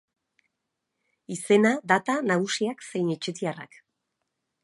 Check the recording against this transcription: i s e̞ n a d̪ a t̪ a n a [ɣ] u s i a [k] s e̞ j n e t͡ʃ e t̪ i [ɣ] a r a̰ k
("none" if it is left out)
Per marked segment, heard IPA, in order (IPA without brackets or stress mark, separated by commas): ɣ, k, none